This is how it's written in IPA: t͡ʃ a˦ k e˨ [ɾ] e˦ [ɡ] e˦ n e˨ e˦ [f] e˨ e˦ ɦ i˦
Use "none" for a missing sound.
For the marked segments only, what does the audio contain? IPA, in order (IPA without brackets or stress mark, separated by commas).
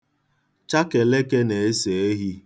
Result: l, k, s